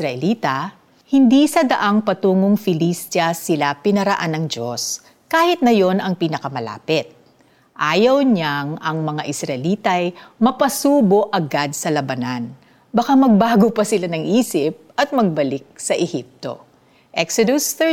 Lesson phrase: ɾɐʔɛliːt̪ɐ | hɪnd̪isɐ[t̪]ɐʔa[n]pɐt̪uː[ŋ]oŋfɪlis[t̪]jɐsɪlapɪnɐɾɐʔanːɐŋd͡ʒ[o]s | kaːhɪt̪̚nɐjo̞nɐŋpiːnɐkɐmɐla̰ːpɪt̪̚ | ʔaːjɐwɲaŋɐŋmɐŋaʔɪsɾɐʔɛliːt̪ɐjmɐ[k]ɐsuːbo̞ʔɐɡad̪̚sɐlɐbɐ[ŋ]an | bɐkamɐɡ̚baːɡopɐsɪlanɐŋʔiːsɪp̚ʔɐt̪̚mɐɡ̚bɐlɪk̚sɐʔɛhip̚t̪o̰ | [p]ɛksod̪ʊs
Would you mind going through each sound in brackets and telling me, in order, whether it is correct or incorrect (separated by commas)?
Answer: incorrect, incorrect, correct, correct, correct, incorrect, incorrect, incorrect